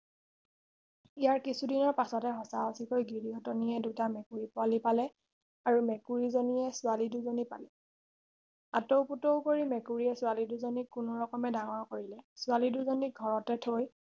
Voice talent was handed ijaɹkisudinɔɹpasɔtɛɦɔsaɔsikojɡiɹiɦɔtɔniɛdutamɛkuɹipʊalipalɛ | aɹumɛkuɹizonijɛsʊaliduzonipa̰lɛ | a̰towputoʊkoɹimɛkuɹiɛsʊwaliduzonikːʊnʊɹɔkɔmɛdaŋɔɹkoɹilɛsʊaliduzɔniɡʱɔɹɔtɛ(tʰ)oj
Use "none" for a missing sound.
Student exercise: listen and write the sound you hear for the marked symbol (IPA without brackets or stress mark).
tʰ